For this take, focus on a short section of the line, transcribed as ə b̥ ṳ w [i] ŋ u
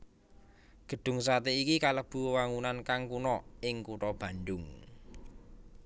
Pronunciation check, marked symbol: incorrect: a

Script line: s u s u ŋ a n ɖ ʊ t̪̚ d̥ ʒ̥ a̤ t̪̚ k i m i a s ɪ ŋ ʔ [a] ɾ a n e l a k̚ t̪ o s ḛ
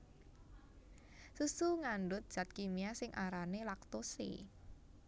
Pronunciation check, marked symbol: correct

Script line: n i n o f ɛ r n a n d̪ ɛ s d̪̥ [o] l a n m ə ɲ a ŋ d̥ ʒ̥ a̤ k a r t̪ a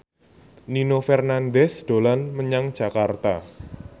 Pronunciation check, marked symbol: correct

